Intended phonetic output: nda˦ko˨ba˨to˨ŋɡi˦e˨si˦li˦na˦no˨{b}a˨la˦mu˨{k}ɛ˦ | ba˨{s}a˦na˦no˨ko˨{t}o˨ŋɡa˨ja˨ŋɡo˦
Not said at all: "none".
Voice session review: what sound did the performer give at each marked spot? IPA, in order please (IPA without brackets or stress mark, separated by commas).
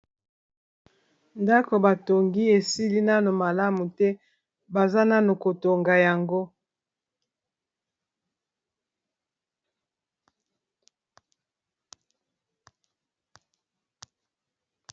m, t, z, t